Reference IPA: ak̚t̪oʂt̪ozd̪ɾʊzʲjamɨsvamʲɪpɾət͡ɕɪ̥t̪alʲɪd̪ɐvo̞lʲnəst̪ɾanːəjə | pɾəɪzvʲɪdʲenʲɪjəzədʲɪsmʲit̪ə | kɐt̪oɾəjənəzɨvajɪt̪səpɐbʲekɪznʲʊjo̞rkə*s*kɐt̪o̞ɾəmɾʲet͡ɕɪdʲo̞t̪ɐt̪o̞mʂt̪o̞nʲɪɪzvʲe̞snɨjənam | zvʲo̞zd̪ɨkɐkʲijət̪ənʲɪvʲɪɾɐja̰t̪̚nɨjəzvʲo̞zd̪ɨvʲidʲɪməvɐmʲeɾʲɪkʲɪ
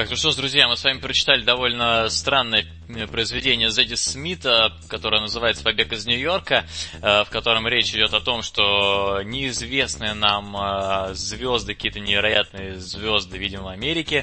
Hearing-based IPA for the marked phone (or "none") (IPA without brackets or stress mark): f